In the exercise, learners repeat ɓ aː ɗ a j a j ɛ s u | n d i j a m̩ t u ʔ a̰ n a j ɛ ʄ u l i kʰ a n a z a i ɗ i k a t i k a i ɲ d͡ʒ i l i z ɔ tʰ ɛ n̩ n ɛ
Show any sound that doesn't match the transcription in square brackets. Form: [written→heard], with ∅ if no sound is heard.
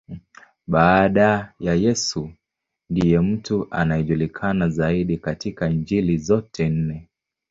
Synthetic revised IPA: ɓ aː ɗ a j a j ɛ s u | n d i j [a→ɛ] m̩ t u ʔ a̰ n a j ɛ ʄ u l i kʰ a n a z a i ɗ i k a t i k a i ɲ d͡ʒ i l i z ɔ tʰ ɛ n̩ n ɛ